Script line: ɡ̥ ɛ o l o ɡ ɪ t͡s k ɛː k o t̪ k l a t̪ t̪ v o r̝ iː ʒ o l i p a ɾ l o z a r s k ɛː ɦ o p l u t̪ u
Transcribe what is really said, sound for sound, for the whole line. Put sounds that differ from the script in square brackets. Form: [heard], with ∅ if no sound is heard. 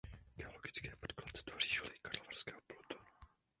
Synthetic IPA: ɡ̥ ɛ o l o ɡ ɪ t͡s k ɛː [p] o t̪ k l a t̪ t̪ v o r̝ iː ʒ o l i [k] a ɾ l o [v] a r s k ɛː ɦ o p l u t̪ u